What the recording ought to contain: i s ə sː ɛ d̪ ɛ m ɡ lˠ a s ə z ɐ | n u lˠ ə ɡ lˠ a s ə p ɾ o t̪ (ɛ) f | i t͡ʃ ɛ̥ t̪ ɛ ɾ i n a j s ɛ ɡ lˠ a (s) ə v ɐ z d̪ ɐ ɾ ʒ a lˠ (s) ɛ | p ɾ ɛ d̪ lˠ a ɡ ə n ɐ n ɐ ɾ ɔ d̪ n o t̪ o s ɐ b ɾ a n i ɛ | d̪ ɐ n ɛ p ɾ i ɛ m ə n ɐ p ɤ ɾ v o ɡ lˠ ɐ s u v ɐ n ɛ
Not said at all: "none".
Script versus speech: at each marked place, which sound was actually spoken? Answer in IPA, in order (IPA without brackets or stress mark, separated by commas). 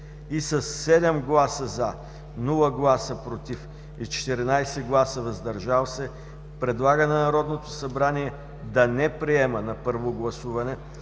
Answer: i, s, s